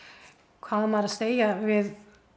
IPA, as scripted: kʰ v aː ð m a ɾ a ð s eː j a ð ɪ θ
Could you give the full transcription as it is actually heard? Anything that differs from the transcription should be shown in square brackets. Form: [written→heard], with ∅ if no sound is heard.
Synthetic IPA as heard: kʰ v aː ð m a ɾ a ð s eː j a [ð→v] ɪ [θ→ð]